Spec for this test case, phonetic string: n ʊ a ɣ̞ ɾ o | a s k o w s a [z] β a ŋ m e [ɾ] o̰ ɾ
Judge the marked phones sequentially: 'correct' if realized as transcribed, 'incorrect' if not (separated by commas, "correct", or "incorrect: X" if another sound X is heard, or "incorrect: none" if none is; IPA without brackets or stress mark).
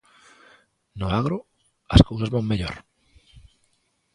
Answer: correct, incorrect: ʎ